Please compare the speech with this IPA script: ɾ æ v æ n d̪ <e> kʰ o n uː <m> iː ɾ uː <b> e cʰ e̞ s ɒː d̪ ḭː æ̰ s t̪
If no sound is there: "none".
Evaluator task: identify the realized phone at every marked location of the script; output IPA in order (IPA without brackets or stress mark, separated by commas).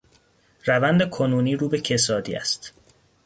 e, n, b